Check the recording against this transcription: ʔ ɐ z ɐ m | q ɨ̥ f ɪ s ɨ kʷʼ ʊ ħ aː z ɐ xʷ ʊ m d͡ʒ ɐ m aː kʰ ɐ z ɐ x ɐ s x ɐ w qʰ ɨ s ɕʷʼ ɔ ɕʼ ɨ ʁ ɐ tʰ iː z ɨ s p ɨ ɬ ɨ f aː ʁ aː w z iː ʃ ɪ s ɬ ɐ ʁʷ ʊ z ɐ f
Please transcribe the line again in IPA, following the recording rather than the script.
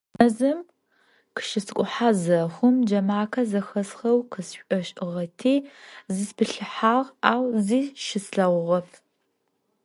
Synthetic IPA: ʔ ɐ z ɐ m | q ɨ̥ ʃ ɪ s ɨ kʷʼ ʊ ħ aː z ɐ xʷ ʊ m d͡ʒ ɐ m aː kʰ ɐ z ɐ x ɐ s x ɐ w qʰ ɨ s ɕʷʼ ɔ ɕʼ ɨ ʁ ɐ tʰ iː z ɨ s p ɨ ɬ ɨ ħ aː ʁ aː w z iː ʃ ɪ s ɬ ɐ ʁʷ ʊ ʁ ɐ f